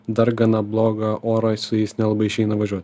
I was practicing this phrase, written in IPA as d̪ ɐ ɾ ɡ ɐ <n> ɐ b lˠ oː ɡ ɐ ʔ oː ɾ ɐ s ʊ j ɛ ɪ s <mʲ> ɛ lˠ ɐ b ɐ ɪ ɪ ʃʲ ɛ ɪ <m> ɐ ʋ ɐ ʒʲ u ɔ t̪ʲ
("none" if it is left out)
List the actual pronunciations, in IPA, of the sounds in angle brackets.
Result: n, nʲ, n

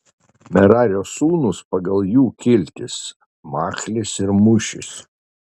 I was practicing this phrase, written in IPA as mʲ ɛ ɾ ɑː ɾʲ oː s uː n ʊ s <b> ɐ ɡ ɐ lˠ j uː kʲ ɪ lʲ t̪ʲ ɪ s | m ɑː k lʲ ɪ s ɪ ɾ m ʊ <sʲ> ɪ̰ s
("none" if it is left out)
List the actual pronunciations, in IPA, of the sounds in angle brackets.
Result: p, ʃʲ

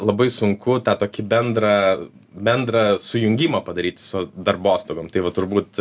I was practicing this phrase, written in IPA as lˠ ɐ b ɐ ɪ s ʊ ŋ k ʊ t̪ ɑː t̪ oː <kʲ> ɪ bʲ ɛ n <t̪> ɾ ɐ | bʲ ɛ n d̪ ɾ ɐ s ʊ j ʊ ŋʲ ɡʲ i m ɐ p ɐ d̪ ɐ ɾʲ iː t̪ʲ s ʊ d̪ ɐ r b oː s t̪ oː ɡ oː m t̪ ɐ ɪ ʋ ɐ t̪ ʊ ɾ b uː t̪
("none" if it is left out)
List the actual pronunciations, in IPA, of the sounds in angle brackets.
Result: kʲ, d̪

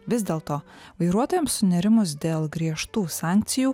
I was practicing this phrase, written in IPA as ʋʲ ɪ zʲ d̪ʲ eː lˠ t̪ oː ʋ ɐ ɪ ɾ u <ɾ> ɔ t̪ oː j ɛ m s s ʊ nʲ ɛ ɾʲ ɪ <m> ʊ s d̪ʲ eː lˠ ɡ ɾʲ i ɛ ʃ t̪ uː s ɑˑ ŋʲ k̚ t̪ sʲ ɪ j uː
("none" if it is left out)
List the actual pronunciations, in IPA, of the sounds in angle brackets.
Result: none, m

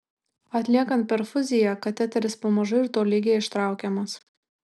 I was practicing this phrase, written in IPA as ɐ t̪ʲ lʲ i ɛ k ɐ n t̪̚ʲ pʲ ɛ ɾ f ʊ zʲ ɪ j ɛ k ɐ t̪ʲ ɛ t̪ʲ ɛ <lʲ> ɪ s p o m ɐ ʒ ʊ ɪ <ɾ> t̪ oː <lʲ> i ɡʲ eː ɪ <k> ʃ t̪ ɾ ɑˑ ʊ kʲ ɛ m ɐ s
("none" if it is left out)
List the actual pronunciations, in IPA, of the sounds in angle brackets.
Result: ɾʲ, ɾ, lʲ, none

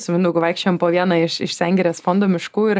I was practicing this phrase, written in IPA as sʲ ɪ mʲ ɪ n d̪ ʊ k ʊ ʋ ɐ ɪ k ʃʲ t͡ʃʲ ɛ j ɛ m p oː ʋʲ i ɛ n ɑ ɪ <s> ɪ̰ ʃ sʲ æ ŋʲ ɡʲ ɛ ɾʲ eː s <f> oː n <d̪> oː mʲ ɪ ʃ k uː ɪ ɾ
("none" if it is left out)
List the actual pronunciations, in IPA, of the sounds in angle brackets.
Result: ʃ, f, d̪

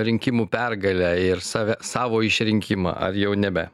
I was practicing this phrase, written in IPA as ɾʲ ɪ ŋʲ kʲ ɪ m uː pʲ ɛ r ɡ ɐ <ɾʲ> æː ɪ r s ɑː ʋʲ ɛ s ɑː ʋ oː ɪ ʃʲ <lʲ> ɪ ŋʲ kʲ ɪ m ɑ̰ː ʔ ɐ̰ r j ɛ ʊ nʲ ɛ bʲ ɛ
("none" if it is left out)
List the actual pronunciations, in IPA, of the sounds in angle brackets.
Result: lʲ, ɾʲ

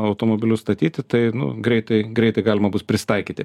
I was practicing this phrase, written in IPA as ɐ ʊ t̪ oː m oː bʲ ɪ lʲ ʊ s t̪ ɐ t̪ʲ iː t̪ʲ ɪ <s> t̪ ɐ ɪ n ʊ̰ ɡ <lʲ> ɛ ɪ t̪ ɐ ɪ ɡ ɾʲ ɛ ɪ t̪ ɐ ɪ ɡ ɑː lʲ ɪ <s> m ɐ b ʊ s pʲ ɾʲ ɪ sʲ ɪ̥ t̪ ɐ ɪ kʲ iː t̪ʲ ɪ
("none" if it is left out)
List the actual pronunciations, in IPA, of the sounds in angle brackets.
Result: none, ɾʲ, none

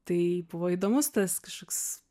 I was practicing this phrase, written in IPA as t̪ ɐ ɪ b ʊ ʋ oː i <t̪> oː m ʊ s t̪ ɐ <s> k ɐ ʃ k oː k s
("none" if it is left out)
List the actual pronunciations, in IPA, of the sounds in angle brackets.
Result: d̪, s

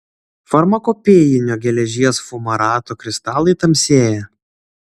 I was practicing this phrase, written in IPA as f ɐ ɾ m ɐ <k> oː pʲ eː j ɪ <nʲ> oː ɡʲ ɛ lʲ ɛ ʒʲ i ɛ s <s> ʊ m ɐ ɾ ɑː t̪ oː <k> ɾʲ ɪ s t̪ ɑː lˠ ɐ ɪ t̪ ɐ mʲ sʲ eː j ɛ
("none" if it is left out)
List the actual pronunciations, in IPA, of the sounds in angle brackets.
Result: k, nʲ, f, k

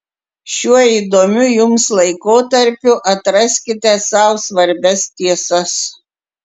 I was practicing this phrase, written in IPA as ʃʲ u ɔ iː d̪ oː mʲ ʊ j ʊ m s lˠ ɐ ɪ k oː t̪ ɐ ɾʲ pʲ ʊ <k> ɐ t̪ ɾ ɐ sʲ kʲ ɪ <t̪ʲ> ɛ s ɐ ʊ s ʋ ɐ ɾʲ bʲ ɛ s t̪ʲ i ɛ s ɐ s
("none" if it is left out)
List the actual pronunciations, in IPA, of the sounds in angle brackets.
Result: ʔ, t̪ʲ

